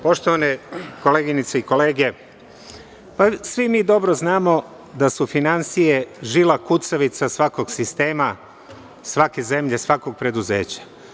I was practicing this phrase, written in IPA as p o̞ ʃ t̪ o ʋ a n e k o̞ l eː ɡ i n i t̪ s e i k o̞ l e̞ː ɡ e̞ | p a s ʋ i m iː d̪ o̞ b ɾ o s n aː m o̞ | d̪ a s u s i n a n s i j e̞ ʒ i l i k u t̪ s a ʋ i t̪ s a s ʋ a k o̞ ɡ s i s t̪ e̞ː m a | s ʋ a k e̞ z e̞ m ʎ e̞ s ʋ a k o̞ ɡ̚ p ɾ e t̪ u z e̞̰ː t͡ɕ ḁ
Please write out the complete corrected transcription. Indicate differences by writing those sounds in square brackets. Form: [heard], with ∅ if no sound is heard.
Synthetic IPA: p o̞ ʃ t̪ o ʋ a n e k o̞ l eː ɡ i n i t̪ s e i k o̞ l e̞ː ɡ e̞ | p a s ʋ i m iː d̪ o̞ b ɾ o [z] n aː m o̞ | d̪ a s u [f] i n a n s i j e̞ ʒ i l [a] k u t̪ s a ʋ i t̪ s a s ʋ a k o̞ ɡ s i s t̪ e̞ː m a | s ʋ a k e̞ z e̞ m ʎ e̞ s ʋ a k o̞ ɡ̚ p ɾ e [d̪] u z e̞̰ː t͡ɕ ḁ

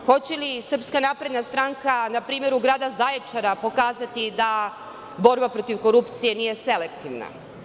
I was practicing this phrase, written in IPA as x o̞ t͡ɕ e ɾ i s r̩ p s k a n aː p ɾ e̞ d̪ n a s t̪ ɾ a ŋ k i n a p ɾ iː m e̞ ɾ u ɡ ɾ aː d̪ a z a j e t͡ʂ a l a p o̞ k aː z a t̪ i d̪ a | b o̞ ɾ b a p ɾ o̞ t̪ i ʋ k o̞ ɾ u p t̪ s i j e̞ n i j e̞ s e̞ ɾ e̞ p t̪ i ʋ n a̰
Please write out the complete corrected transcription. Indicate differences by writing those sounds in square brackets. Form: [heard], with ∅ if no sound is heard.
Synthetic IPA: x o̞ t͡ɕ e [l] i s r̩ p s k a n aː p ɾ e̞ d̪ n a s t̪ ɾ a ŋ k [a] n a p ɾ iː m e̞ ɾ u ɡ ɾ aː d̪ a z a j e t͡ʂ a [ɾ] a p o̞ k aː z a t̪ i d̪ a | b o̞ ɾ b a p ɾ o̞ t̪ i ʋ k o̞ ɾ u p t̪ s i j e̞ n i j e̞ s e̞ [l] e̞ [k] t̪ i ʋ n a̰

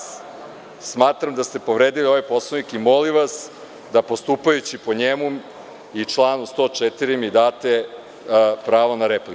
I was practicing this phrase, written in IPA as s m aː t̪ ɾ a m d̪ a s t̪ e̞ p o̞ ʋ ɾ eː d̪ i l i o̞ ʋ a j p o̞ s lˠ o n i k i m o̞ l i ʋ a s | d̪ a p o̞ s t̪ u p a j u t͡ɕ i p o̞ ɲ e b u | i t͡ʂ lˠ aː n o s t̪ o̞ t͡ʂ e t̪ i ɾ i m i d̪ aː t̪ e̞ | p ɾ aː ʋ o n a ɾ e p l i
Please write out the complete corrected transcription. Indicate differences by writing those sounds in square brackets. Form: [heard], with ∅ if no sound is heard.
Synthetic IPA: s m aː t̪ ɾ a m d̪ a s t̪ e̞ p o̞ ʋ ɾ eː d̪ i l i o̞ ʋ a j p o̞ s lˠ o n i k i m o̞ l i ʋ a s | d̪ a p o̞ s t̪ u p a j u t͡ɕ i p o̞ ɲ e [m] u | i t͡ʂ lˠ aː n [u] s t̪ o̞ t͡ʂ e t̪ i ɾ i m i d̪ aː t̪ e̞ | p ɾ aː ʋ o n a ɾ e p l i

